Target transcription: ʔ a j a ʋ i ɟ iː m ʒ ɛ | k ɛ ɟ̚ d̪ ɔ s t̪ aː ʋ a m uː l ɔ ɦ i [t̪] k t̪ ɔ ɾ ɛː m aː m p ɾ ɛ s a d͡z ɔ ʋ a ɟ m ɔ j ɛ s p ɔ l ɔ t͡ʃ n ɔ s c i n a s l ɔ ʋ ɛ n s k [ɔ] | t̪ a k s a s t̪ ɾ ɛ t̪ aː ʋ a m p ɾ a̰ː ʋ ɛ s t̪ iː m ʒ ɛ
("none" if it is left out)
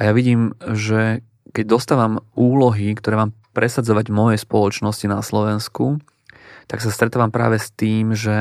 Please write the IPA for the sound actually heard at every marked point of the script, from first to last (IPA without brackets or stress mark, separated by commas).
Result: none, u